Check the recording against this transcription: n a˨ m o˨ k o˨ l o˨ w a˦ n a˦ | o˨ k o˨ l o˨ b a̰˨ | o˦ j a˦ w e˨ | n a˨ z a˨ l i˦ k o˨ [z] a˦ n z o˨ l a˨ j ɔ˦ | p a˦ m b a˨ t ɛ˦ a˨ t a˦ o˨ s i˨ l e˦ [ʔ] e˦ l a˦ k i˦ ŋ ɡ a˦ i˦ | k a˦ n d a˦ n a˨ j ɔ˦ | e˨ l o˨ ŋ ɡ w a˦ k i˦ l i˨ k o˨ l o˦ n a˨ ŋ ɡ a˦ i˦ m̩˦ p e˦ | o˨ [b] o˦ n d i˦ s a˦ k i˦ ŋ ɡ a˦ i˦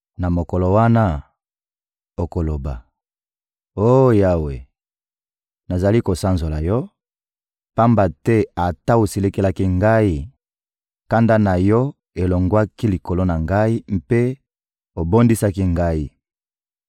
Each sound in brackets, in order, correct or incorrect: incorrect, incorrect, correct

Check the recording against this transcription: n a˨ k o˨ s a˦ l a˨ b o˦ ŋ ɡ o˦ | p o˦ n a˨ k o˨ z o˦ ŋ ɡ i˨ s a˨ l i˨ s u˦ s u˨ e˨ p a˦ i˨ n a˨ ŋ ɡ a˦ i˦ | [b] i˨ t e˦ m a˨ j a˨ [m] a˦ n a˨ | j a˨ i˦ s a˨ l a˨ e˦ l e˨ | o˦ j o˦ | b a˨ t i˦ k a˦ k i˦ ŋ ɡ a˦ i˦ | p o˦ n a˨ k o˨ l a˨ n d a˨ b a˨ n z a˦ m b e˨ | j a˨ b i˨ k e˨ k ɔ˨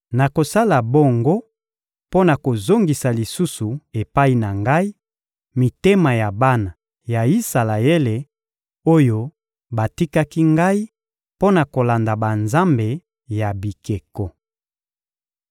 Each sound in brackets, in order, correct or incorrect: incorrect, incorrect

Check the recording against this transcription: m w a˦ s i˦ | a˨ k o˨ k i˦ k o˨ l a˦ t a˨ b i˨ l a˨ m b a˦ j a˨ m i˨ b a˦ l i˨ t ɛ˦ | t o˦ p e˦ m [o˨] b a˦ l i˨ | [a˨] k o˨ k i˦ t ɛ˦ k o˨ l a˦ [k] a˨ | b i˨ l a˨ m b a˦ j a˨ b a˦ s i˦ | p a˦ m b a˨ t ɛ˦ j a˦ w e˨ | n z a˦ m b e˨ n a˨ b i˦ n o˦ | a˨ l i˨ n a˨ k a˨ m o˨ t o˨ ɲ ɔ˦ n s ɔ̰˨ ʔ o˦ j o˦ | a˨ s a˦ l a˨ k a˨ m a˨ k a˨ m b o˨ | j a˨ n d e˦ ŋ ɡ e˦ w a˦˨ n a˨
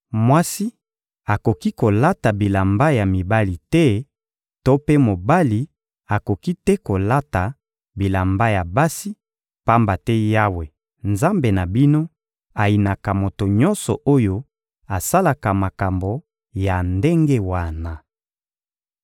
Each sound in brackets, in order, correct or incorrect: correct, correct, incorrect

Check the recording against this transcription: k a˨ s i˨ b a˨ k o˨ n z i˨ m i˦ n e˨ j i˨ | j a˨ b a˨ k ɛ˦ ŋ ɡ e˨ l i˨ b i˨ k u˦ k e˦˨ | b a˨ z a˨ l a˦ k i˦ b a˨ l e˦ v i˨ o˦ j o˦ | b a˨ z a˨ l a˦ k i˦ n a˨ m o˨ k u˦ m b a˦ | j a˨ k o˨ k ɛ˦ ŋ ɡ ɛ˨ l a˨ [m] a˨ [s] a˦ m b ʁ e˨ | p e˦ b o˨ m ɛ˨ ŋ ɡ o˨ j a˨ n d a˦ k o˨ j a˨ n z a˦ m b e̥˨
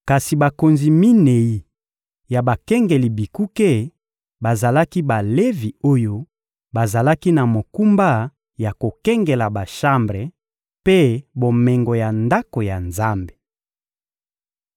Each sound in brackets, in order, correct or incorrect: incorrect, incorrect

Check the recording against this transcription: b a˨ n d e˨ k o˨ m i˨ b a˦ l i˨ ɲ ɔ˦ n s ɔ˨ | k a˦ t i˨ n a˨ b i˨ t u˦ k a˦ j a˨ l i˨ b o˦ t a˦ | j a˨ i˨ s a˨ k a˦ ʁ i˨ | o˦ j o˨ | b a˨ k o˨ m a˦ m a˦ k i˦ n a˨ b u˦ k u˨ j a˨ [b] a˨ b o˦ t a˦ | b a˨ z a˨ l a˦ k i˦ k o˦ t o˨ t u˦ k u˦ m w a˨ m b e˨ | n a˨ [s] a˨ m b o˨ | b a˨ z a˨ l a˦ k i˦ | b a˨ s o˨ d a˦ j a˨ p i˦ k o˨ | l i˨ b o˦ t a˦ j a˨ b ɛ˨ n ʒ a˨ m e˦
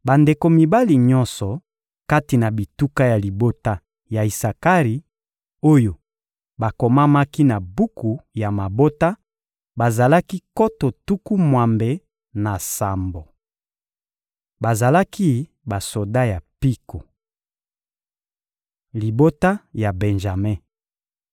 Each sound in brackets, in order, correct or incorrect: incorrect, correct

